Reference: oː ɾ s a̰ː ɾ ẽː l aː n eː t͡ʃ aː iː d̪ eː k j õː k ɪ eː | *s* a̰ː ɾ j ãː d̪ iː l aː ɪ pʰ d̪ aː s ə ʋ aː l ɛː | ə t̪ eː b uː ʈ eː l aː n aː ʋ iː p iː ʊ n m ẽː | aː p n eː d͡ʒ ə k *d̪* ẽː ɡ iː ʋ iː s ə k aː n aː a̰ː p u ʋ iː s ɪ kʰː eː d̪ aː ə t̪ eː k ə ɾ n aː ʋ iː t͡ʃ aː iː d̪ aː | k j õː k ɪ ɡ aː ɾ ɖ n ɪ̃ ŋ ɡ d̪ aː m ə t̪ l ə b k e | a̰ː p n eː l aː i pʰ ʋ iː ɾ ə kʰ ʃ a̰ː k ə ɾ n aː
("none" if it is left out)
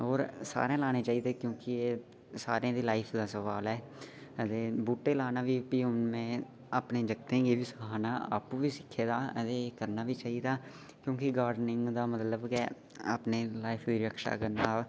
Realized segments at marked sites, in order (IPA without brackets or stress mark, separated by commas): s, t̪